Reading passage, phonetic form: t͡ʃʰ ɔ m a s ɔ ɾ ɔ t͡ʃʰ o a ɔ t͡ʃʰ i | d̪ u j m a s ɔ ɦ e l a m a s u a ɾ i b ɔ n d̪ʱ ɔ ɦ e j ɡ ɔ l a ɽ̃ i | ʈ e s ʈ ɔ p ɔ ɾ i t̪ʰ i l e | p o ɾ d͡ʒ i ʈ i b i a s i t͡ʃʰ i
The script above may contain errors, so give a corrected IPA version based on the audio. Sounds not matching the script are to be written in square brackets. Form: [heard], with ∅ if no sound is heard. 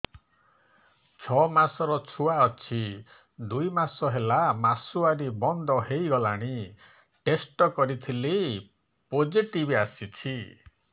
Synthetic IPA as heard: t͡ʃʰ ɔ m a s ɔ ɾ ɔ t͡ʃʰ [u] a ɔ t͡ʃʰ i | d̪ u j m a s ɔ ɦ e l a m a s u a ɾ i b ɔ n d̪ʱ ɔ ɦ e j ɡ ɔ l a ɽ̃ i | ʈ e s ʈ ɔ [k] ɔ ɾ i t̪ʰ i l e | p o [∅] d͡ʒ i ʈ i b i a s i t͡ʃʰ i